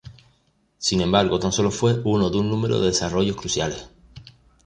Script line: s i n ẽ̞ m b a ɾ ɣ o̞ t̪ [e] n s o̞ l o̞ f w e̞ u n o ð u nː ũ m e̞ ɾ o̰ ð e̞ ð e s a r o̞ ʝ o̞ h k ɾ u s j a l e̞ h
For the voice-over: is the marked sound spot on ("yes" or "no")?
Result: no